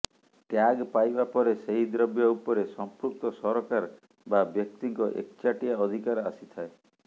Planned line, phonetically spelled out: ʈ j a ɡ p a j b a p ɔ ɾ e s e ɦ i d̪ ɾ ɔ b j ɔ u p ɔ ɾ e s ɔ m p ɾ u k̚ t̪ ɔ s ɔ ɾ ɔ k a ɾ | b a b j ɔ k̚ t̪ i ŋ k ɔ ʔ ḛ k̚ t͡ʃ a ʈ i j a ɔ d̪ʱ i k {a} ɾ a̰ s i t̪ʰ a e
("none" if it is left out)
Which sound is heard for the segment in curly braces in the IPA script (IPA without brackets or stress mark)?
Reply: a